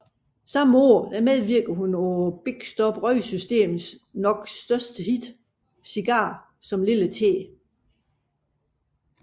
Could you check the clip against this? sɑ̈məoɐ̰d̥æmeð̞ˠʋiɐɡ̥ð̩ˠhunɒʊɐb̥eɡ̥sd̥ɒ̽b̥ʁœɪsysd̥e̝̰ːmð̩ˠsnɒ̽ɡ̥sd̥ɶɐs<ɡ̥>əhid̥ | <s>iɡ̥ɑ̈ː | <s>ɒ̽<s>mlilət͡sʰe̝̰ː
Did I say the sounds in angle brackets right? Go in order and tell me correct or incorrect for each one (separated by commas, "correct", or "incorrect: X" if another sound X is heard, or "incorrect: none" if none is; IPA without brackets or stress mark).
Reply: incorrect: d̥, correct, correct, incorrect: none